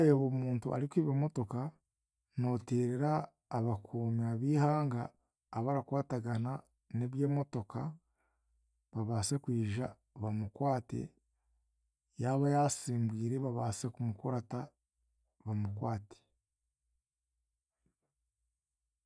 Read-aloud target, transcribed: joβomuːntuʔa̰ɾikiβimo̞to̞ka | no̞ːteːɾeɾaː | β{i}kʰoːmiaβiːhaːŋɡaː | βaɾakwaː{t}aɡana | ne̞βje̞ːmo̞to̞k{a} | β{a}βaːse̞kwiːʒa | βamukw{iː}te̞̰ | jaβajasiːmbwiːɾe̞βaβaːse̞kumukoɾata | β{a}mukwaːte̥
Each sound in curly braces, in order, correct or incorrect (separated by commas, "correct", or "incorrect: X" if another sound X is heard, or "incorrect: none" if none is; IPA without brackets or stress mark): incorrect: a, correct, correct, correct, incorrect: aː, correct